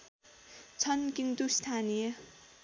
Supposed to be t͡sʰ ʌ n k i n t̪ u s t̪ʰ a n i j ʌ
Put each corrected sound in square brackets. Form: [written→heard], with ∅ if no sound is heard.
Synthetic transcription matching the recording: t͡sʰ ʌ n k i n t̪ u s t̪ʰ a n i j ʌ